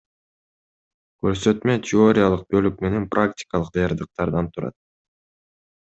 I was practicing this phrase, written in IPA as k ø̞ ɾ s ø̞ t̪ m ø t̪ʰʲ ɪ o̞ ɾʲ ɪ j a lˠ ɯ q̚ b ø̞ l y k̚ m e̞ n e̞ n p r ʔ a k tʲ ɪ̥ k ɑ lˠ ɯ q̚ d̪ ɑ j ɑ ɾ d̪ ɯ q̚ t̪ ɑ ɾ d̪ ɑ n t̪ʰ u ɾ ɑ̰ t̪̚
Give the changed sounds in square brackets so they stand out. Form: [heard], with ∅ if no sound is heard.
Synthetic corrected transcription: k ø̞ ɾ s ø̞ t̪ m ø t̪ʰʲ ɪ o̞ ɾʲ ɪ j a lˠ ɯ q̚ b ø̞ l y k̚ m e̞ n e̞ n p r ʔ a k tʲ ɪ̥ k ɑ lˠ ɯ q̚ d̪ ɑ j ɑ ɾ d̪ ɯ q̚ t̪ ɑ ɾ d̪ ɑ n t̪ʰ u ɾ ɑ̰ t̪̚

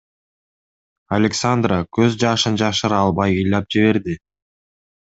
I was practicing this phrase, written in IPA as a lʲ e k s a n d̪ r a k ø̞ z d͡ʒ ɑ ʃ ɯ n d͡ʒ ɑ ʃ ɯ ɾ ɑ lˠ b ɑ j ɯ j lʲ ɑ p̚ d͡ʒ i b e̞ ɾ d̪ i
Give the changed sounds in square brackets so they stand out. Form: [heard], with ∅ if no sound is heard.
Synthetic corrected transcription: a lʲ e k s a n d̪ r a k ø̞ z d͡ʒ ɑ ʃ ɯ n d͡ʒ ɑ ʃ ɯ ɾ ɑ lˠ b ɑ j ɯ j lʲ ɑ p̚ d͡ʒ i [β] e̞ ɾ d̪ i

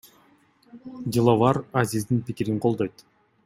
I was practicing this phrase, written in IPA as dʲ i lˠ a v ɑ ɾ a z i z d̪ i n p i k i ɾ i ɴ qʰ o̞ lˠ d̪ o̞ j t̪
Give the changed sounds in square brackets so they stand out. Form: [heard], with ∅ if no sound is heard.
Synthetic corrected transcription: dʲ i lˠ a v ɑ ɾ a z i z d̪ i n p i k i ɾ i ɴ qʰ o̞ lˠ d̪ o̞ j t̪

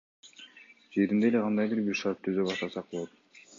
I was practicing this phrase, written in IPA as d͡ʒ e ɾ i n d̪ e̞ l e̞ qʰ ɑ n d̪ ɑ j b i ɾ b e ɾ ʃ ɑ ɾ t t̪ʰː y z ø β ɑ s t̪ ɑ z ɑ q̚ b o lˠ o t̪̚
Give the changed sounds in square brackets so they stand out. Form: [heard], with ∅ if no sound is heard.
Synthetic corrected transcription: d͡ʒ e ɾ i n d̪ e̞ l e̞ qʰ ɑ n d̪ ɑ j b i ɾ b [i] ɾ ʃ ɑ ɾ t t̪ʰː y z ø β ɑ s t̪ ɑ [s] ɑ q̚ b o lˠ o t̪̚

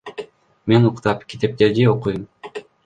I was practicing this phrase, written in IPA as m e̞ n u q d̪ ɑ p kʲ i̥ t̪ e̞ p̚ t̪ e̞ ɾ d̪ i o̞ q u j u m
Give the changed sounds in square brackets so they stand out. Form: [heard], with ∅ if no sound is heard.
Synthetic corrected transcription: m e̞ n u q [t̪] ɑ p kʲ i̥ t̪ e̞ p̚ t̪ e̞ ɾ d̪ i o̞ q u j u m

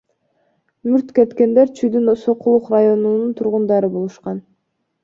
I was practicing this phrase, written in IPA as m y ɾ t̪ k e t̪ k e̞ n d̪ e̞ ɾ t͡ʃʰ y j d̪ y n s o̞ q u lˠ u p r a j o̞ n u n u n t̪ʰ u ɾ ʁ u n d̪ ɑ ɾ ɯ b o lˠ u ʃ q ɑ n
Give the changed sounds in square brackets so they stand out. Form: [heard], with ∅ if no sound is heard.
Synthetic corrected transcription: m y ɾ t̪ k e t̪ k e̞ n d̪ e̞ ɾ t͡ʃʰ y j d̪ y n s o̞ q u lˠ u [q] r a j o̞ n u n u n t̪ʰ u ɾ ʁ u n d̪ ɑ ɾ ɯ b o lˠ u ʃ q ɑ n

